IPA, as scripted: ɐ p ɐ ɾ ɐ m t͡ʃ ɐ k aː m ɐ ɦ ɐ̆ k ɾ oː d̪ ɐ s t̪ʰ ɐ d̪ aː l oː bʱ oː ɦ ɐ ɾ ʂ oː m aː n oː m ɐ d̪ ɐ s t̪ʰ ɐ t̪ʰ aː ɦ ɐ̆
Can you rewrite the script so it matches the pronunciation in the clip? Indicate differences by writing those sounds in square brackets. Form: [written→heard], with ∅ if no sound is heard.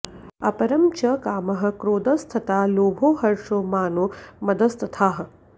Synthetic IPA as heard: ɐ p ɐ ɾ ɐ m t͡ʃ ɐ k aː m ɐ ɦ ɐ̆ k ɾ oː d̪ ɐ s t̪ʰ ɐ [d̪→t̪] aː l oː bʱ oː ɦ ɐ ɾ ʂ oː m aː n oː m ɐ d̪ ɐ s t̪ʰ ɐ t̪ʰ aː ɦ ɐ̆